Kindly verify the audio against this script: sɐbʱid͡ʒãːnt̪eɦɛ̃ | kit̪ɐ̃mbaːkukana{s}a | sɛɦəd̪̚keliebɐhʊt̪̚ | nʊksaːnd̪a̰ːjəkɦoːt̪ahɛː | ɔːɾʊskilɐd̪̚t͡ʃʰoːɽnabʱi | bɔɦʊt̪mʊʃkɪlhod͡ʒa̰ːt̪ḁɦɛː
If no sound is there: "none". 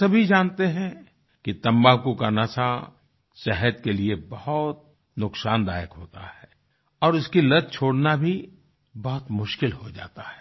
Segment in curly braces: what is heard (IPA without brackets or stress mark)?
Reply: s